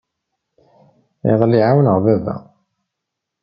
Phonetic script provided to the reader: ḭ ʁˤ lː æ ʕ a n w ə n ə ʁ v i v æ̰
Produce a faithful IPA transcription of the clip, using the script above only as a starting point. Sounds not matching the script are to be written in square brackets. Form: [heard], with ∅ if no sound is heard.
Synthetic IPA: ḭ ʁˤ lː [i] ʕ a [∅] w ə n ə ʁ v [æ] v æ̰